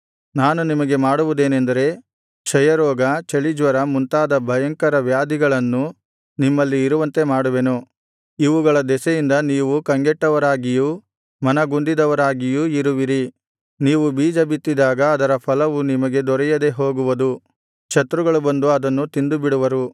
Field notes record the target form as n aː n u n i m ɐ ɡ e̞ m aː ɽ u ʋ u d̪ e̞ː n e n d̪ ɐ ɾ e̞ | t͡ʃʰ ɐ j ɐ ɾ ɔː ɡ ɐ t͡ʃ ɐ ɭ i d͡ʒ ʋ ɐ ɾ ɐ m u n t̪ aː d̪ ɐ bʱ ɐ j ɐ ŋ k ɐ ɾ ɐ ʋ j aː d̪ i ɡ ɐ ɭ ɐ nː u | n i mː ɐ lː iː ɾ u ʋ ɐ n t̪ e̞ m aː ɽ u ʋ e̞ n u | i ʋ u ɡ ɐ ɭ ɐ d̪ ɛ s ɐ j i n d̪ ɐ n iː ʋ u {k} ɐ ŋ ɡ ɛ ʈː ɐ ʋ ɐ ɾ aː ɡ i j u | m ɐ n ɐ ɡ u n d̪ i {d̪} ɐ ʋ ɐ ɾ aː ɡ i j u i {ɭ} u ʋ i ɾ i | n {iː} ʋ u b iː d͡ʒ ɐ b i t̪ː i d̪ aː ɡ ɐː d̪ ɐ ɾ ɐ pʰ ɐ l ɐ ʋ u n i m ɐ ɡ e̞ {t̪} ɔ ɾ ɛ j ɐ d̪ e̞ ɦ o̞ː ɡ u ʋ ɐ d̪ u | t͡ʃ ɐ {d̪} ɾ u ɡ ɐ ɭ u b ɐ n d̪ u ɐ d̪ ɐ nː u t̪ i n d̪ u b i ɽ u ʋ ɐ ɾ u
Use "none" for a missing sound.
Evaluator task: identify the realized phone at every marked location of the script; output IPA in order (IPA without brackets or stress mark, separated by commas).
k, d̪, ɾ, iː, d̪, t̪